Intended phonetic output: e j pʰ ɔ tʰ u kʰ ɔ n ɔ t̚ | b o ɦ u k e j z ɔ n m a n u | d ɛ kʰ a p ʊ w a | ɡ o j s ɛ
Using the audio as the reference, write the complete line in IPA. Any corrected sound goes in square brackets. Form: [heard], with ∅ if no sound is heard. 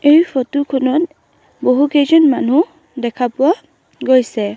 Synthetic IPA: e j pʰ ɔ [t] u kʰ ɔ n ɔ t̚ | b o ɦ u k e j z ɔ n m a n u | d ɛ kʰ a p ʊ w a | ɡ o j s ɛ